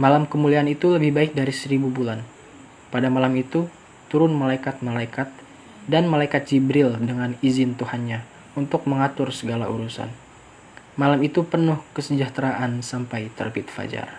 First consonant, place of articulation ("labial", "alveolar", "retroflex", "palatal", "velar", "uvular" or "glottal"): labial